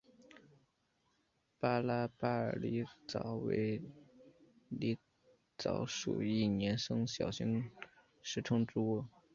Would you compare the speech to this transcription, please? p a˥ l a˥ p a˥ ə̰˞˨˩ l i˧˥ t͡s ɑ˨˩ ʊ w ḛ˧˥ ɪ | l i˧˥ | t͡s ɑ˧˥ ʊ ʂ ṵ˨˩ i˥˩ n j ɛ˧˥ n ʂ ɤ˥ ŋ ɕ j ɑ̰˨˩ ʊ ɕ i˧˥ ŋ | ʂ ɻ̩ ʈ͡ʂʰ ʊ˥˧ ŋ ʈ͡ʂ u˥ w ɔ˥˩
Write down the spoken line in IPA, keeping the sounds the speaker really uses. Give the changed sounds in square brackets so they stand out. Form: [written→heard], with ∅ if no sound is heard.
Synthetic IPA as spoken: p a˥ l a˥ p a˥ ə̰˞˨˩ l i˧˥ t͡s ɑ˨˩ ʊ w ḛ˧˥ ɪ | l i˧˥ | t͡s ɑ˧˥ ʊ ʂ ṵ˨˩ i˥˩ n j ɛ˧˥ n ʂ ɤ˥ ŋ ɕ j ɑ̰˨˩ ʊ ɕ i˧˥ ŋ | ʂ ɻ̩ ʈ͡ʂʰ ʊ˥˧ ŋ ʈ͡ʂ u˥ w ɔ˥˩